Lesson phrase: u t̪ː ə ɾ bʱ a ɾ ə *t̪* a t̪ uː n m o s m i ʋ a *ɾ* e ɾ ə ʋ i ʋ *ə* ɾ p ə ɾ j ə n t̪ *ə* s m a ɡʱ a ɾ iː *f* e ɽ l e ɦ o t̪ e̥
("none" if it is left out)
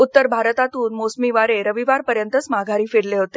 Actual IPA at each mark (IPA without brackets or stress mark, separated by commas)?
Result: t̪, ɾ, a, ə, f